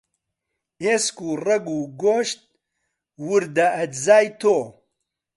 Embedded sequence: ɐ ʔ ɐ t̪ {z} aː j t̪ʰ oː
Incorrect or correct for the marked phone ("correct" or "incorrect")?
correct